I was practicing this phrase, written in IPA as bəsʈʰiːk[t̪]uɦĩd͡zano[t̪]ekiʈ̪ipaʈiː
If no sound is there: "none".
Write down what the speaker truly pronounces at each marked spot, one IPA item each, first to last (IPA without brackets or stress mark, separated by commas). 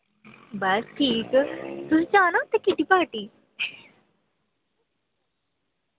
t̪, t̪